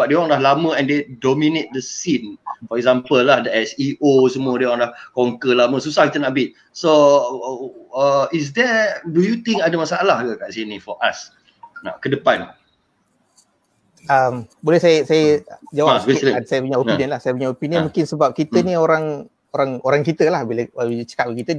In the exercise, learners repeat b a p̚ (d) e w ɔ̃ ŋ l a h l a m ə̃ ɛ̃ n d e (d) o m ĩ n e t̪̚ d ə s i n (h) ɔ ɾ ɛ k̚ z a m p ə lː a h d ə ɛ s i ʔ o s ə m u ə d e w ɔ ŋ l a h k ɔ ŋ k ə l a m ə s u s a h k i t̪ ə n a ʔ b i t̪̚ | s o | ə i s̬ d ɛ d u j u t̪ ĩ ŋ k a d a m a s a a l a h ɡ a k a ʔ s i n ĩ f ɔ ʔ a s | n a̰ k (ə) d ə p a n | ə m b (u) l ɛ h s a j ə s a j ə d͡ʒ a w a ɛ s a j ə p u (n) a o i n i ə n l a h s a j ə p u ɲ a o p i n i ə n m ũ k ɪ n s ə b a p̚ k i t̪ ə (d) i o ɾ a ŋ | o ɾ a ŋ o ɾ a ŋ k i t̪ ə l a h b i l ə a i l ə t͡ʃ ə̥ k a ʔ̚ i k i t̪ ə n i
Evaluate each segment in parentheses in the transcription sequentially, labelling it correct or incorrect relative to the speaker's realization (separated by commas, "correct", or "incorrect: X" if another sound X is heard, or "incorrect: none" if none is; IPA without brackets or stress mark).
correct, correct, incorrect: f, correct, incorrect: o, incorrect: ɲ, incorrect: n